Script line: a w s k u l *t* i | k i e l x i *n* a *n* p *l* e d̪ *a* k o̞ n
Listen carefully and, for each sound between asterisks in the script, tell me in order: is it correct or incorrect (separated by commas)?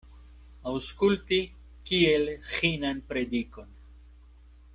correct, correct, correct, incorrect, incorrect